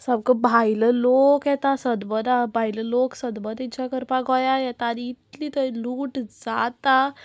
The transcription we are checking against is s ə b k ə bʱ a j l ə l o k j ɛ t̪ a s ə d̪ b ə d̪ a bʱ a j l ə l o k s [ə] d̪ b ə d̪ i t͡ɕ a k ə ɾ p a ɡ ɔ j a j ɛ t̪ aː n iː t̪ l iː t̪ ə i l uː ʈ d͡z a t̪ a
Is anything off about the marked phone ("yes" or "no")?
no